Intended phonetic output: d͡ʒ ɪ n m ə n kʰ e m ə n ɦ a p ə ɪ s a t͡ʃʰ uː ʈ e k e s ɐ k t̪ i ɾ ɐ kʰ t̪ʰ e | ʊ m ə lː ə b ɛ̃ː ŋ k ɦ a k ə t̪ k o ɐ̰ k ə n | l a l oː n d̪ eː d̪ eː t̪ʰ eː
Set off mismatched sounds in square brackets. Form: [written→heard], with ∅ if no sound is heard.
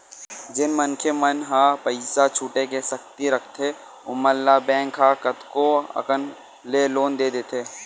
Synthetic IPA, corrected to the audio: d͡ʒ ɪ n m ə n kʰ e m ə n ɦ a p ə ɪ s a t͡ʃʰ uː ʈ e k e s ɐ k t̪ i ɾ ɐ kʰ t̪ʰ e | ʊ m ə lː [ə→a] b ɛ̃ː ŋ k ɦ a k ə t̪ k o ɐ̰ k ə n | l [a→e] l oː n d̪ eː d̪ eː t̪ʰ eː